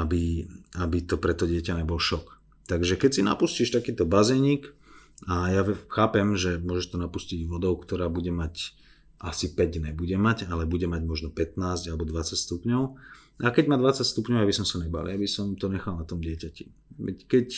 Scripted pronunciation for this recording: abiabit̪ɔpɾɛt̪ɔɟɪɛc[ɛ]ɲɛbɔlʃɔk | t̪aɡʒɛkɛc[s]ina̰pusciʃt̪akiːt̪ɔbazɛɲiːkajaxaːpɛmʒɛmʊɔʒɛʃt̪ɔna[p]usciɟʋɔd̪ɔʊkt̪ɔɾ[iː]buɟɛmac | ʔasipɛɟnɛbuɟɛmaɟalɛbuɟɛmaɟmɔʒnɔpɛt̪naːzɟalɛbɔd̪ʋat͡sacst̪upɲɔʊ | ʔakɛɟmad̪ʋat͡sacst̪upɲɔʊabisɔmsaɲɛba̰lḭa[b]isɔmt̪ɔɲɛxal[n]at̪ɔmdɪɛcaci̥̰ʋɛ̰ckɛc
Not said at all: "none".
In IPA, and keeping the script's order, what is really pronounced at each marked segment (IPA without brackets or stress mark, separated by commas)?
a, s, p, aː, b, n